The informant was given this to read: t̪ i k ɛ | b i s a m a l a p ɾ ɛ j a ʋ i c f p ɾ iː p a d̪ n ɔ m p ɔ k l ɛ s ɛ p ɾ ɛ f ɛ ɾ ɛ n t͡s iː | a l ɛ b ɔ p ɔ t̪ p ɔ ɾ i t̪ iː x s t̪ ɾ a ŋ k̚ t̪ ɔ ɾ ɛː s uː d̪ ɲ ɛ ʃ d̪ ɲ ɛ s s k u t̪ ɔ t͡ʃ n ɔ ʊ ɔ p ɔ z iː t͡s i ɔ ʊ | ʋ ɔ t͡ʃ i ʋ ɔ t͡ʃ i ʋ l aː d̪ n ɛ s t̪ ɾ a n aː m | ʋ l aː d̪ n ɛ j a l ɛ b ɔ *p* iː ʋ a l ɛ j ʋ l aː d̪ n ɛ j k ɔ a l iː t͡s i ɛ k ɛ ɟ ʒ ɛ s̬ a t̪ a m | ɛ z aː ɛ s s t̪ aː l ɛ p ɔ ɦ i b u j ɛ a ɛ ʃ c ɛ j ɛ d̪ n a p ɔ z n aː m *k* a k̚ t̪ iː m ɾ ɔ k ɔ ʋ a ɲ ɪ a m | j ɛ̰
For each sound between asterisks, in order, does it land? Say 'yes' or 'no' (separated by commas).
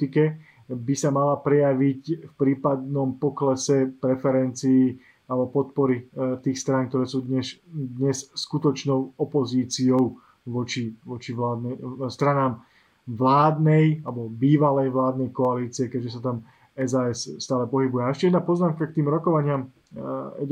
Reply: no, yes